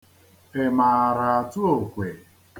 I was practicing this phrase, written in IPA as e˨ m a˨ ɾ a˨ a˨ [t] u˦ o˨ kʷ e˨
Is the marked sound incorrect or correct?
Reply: correct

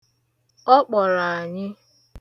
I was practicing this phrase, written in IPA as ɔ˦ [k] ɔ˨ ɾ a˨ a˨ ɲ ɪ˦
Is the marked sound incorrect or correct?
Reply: incorrect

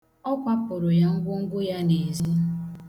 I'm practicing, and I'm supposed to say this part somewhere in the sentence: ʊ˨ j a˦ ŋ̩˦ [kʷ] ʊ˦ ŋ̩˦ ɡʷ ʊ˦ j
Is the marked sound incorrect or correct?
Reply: incorrect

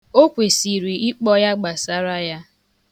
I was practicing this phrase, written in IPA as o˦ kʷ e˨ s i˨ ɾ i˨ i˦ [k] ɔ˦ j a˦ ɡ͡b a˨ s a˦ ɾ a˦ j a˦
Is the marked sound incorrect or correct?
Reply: incorrect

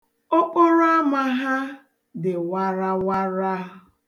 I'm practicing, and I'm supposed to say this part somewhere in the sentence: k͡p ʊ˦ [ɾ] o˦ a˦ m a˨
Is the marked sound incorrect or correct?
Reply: correct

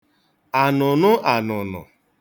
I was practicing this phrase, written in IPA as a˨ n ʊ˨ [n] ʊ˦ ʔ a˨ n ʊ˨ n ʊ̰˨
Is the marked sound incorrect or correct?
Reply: correct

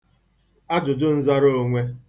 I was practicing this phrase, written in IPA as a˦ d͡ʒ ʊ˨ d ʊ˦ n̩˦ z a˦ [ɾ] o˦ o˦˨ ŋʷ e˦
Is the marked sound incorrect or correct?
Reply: correct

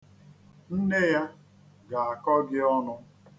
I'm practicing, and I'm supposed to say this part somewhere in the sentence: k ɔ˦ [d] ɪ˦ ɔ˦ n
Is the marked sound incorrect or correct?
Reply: incorrect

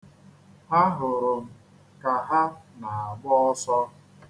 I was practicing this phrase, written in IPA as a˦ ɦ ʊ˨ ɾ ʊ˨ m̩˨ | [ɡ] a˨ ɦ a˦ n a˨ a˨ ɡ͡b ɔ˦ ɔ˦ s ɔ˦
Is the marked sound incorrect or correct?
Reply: incorrect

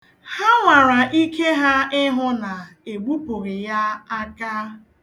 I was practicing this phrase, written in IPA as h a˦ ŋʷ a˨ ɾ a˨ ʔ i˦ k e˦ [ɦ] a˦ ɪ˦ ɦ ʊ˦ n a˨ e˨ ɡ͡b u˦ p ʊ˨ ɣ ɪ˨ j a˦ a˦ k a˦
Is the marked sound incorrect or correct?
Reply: correct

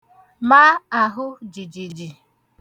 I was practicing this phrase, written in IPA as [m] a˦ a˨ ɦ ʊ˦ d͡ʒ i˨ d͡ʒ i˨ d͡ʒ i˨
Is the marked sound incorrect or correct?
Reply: correct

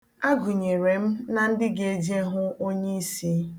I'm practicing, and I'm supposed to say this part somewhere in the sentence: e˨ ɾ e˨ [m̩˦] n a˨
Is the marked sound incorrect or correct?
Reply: correct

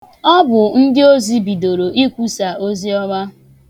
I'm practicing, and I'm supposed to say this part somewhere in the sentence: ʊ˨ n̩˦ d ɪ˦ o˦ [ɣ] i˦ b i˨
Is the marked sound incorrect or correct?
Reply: incorrect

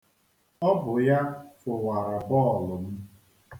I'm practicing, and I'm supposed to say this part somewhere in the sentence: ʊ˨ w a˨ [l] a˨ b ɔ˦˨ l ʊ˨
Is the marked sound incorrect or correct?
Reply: incorrect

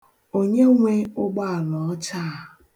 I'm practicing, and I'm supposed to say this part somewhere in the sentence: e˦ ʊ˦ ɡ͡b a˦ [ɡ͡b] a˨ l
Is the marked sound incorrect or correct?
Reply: incorrect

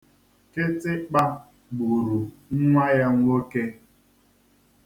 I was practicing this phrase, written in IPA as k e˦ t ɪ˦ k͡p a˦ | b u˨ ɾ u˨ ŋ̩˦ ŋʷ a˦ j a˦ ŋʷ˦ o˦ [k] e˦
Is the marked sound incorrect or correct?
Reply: correct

